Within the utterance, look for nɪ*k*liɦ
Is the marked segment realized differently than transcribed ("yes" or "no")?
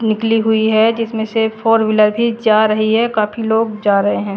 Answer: no